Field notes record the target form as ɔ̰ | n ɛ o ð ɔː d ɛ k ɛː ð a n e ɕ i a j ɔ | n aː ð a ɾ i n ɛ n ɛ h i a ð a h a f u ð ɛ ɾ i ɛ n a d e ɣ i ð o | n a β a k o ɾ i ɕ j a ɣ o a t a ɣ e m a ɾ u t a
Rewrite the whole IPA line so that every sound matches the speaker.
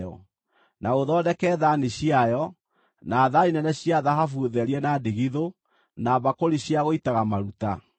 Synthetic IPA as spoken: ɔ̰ | n a o ð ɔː d ɛ k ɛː ð a n e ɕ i a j ɔ | n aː ð a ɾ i n ɛ n ɛ ɕ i a ð a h a f u ð ɛ ɾ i ɛ n a d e ɣ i ð o | n a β a k o ɾ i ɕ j a ɣ o i t a ɣ a m a ɾ u t a